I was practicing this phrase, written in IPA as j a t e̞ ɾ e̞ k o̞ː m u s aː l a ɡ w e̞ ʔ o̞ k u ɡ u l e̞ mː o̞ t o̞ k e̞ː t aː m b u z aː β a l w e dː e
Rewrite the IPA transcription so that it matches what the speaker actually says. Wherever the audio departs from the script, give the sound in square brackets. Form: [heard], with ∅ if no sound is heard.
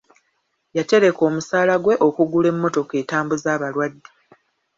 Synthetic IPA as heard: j a t e̞ ɾ e̞ k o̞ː m u s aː l a ɡ w e̞ ʔ o̞ k u ɡ u l e̞ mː o̞ t o̞ k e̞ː t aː m b u z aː β a l w [a] dː e